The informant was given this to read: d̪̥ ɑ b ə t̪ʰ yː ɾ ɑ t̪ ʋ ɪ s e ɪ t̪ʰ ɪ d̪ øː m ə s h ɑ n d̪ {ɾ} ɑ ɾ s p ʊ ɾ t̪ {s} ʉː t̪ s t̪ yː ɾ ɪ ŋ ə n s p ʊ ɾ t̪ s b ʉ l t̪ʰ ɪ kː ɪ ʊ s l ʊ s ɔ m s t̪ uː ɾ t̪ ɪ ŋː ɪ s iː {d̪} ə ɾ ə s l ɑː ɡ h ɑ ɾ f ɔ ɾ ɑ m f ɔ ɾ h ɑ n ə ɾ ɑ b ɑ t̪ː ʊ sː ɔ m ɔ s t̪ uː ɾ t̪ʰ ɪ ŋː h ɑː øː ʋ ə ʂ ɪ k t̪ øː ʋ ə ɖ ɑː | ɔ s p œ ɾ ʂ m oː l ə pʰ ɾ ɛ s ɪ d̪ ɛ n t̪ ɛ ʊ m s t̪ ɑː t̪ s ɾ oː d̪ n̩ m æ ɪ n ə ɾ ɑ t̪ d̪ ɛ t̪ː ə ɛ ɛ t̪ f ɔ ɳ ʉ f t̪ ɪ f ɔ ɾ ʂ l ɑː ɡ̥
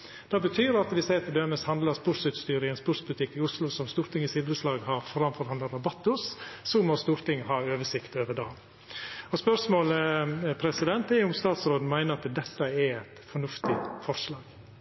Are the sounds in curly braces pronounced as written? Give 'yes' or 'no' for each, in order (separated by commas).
no, yes, yes